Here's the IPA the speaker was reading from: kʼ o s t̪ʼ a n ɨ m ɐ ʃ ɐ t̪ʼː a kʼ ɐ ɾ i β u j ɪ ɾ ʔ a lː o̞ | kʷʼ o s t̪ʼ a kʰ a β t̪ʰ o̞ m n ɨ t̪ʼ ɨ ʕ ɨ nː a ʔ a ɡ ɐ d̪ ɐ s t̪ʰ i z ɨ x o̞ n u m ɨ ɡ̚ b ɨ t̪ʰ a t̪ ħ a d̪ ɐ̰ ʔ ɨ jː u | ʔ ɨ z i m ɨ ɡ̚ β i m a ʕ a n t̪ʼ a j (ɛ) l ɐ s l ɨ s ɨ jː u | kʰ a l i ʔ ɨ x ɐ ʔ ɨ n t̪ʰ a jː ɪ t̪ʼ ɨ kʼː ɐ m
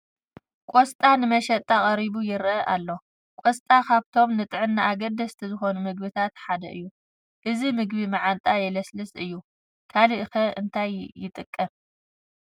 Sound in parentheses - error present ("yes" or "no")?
no